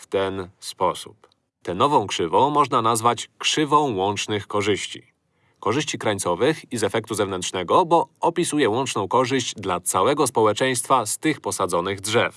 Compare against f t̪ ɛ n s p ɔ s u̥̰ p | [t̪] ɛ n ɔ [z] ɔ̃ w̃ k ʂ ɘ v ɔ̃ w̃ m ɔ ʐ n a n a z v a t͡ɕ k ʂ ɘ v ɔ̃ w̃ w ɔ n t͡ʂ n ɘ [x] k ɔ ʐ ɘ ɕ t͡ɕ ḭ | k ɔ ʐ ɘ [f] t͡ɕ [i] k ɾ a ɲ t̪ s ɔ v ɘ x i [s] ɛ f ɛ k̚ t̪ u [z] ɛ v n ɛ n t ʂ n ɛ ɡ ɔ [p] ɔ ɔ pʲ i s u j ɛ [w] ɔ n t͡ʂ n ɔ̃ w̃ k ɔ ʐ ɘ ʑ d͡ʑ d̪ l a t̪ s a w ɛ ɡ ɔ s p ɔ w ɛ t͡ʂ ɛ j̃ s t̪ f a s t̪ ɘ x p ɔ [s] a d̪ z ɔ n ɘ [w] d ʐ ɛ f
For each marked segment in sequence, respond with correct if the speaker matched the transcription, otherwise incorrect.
correct, incorrect: v, correct, incorrect: ɕ, correct, incorrect: z, correct, incorrect: b, correct, correct, incorrect: ɣ

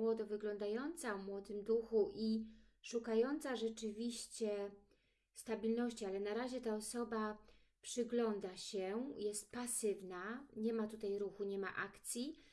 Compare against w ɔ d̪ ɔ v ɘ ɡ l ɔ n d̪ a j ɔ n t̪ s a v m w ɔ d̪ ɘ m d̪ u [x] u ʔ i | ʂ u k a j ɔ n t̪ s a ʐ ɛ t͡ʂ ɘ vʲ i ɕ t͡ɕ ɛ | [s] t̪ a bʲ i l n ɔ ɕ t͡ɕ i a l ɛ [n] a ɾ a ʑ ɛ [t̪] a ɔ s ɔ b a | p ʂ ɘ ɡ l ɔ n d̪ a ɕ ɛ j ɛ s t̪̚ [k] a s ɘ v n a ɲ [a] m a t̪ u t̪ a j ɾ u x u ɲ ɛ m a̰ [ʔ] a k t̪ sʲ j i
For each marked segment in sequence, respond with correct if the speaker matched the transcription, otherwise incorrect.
correct, correct, correct, correct, incorrect: p, incorrect: ɛ, correct

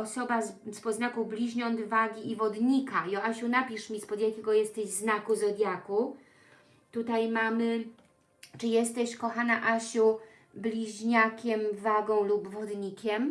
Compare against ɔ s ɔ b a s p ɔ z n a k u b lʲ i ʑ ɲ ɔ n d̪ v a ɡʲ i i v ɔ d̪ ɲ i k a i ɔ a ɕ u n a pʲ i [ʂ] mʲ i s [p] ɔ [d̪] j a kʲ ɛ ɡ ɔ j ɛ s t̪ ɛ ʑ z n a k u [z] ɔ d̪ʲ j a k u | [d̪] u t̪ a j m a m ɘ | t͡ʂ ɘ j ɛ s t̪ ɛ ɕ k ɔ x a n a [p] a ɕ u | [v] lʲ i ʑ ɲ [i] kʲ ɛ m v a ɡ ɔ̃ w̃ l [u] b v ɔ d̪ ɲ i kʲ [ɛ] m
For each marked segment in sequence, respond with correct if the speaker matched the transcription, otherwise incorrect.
correct, correct, correct, correct, incorrect: t̪, incorrect: ʔ, incorrect: b, incorrect: a, correct, correct

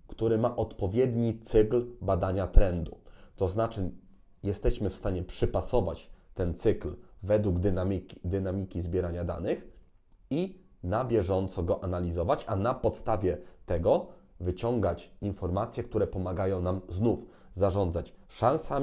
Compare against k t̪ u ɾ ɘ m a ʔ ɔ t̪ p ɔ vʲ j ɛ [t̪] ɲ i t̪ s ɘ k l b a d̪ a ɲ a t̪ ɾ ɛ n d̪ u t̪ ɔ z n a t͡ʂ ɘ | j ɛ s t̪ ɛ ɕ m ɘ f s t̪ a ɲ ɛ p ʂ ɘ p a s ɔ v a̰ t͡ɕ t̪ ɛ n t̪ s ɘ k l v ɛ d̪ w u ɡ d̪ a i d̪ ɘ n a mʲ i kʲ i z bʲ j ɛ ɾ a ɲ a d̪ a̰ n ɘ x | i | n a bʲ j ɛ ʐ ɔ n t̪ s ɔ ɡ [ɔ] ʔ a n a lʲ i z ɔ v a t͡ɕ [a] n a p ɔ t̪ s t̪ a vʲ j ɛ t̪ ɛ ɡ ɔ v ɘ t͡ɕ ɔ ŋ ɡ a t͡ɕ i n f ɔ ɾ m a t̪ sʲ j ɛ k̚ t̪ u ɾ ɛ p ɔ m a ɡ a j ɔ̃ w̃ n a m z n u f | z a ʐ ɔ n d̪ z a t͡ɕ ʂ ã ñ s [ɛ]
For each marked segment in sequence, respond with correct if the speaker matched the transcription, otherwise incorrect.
incorrect: d̪, correct, correct, incorrect: a

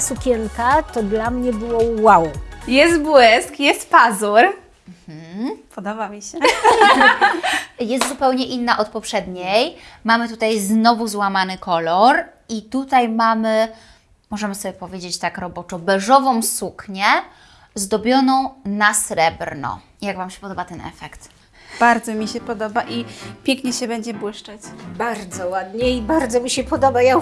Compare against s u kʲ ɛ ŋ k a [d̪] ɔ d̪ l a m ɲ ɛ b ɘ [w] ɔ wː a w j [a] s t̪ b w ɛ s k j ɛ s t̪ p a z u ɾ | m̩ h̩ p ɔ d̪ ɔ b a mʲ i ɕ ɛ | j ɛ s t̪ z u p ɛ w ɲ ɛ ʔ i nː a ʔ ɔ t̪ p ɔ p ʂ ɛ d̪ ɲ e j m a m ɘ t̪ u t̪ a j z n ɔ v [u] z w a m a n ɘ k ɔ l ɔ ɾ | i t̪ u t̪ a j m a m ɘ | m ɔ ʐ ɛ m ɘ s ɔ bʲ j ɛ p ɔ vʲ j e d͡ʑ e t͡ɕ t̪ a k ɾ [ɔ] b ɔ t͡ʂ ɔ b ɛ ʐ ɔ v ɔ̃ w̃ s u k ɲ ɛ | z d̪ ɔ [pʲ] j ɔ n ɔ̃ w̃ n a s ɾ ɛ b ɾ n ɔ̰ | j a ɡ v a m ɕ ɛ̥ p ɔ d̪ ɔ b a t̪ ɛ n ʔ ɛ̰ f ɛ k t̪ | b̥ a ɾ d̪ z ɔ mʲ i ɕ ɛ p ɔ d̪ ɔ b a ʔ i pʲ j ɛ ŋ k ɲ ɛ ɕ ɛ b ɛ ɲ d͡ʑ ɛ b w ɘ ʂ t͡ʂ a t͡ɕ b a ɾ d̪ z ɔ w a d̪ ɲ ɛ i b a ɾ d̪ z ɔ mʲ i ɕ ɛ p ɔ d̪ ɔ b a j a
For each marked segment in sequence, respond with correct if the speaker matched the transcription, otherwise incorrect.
incorrect: t̪, correct, incorrect: ɛ, correct, correct, incorrect: bʲ

